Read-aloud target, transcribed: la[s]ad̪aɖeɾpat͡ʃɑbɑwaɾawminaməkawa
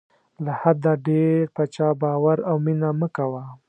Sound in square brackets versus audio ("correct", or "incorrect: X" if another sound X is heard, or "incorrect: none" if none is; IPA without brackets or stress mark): incorrect: h